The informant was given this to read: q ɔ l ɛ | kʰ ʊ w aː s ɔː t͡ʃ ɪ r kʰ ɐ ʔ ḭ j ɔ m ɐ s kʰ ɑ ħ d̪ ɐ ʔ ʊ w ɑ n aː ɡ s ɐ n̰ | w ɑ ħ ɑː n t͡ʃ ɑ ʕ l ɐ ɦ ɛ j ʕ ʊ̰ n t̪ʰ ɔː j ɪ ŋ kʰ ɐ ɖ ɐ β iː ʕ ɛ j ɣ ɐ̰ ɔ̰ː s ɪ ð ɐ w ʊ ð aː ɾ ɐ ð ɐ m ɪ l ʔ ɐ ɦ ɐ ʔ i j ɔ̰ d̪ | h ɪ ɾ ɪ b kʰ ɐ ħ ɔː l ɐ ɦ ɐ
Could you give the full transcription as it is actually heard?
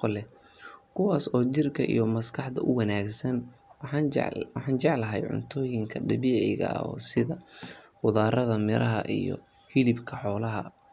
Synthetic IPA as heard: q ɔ l ɛ | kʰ ʊ w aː s ɔː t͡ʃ ɪ r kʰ ɐ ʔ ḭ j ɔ m ɐ s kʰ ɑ ħ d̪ ɐ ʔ ʊ w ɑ n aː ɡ s ɐ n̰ | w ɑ ħ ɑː n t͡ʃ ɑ ʕ l ɐ ɦ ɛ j ʕ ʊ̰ n t̪ʰ ɔː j ɪ ŋ kʰ ɐ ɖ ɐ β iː ʕ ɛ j ɣ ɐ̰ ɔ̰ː s ɪ ð ɐ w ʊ ð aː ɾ ɐ ð ɐ m ɪ ɾ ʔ ɐ ɦ ɐ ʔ i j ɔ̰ | h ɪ l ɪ b kʰ ɐ ħ ɔː l ɐ ɦ ɐ